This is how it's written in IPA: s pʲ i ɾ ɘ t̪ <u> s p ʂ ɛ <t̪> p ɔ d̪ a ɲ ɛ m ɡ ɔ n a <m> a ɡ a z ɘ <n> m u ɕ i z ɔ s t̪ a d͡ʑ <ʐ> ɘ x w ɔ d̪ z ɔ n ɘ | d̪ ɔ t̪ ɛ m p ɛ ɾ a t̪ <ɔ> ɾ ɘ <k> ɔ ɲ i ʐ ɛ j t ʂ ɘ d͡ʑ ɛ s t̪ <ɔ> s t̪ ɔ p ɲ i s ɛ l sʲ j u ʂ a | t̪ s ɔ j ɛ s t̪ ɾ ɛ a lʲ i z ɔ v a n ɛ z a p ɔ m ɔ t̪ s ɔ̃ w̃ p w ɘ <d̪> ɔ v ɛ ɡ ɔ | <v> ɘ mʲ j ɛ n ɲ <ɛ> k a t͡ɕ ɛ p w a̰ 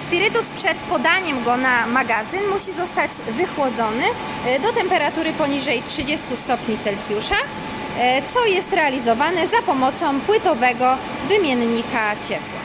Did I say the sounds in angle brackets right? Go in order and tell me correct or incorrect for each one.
correct, correct, correct, correct, incorrect: v, incorrect: u, incorrect: p, incorrect: u, incorrect: t̪, correct, incorrect: i

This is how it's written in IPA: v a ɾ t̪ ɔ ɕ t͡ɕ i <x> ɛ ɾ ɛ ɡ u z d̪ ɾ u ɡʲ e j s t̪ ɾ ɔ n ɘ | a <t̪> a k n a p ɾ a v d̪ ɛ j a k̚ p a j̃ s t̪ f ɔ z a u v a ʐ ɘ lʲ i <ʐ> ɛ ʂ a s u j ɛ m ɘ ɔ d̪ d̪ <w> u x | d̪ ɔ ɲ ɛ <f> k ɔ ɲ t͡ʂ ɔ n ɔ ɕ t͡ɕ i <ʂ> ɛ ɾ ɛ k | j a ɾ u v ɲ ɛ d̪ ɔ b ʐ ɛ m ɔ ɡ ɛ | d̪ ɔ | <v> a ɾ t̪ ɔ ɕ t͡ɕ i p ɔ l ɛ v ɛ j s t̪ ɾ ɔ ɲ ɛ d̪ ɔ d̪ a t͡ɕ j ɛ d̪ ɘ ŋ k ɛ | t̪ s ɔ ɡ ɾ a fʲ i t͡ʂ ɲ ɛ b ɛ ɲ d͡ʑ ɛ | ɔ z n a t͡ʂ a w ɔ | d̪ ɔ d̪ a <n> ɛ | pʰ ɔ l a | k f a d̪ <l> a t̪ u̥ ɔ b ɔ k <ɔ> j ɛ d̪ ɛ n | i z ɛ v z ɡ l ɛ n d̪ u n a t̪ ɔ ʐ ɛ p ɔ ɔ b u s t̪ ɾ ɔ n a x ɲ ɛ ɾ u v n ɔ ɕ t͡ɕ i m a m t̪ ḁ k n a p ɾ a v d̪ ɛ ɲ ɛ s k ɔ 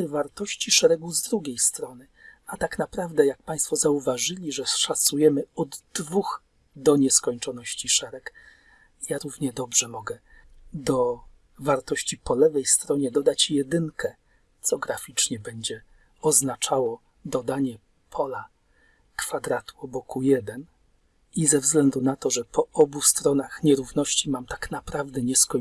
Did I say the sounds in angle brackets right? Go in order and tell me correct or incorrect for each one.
incorrect: ʂ, correct, correct, incorrect: v, incorrect: s, correct, correct, incorrect: ɲ, incorrect: ɾ, incorrect: u

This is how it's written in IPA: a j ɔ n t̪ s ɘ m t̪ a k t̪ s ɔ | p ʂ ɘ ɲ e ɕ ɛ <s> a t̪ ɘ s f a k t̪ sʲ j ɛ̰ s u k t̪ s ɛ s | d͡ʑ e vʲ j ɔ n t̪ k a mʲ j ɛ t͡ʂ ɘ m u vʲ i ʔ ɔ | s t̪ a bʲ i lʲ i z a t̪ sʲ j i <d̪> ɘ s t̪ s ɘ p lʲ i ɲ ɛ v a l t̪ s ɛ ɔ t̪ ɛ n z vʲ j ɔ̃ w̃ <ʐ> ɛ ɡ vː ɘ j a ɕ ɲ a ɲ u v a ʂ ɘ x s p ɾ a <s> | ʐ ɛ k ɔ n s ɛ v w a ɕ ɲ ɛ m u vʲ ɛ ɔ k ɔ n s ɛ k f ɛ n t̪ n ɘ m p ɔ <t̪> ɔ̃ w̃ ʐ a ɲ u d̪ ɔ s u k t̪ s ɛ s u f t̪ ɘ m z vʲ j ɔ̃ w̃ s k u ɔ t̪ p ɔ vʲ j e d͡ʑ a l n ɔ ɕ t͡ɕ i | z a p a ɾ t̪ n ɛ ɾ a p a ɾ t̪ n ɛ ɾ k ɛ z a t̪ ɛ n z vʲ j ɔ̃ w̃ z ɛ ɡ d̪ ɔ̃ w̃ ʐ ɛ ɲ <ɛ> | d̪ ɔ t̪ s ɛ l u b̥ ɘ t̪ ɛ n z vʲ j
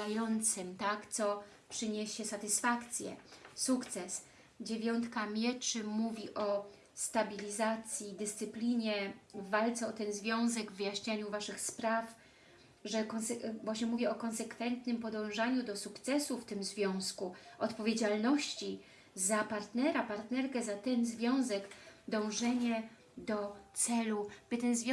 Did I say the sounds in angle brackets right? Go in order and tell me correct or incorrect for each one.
correct, correct, incorrect: z, incorrect: f, incorrect: d̪, correct

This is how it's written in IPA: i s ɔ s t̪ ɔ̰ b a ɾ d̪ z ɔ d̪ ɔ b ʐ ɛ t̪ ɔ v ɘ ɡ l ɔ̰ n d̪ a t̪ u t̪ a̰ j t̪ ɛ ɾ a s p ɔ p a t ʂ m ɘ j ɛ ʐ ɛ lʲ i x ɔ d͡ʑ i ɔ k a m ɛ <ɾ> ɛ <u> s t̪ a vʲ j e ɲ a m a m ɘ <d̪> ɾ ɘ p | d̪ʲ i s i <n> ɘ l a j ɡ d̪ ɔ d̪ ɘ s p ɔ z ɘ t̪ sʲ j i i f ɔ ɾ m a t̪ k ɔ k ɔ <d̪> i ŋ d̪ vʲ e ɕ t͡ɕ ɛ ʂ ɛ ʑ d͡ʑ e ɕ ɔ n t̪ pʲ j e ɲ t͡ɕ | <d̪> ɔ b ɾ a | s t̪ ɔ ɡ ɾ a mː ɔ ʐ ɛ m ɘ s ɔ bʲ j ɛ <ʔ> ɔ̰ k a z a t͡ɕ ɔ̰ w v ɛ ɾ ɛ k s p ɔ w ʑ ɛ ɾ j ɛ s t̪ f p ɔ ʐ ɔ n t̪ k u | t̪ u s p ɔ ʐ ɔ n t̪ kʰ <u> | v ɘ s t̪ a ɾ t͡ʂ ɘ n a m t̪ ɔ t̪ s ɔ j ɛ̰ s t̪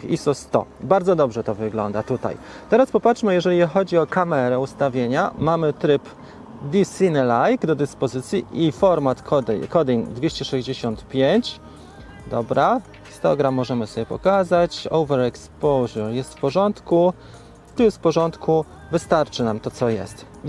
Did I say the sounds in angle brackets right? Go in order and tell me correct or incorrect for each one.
correct, correct, incorrect: t̪, correct, correct, correct, incorrect: p, correct

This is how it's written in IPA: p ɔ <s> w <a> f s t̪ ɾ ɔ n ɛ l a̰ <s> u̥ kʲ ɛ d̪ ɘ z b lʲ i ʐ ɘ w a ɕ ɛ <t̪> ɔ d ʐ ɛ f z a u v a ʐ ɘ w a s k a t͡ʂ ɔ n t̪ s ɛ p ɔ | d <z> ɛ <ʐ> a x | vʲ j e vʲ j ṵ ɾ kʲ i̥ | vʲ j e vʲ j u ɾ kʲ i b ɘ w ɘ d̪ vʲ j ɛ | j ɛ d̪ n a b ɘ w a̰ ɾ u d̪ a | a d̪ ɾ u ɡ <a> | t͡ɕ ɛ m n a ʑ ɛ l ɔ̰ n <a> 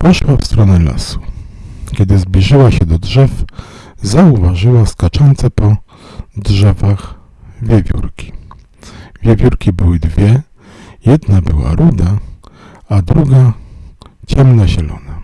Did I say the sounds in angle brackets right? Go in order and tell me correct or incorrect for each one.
incorrect: ʂ, correct, correct, incorrect: d̪, incorrect: ʐ, incorrect: v, correct, correct

